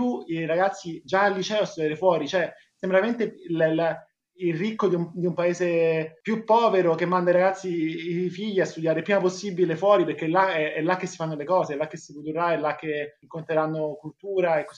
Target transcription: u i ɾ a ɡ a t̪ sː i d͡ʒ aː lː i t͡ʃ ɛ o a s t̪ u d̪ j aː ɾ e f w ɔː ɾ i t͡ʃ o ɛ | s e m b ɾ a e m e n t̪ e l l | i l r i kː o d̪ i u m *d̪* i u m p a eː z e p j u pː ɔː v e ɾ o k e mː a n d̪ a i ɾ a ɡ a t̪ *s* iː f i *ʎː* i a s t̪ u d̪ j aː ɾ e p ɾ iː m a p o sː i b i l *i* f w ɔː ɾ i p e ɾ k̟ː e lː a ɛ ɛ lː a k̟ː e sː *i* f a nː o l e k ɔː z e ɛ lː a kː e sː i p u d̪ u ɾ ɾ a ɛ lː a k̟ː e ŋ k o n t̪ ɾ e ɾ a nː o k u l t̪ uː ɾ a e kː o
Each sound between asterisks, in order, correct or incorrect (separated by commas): correct, incorrect, correct, incorrect, correct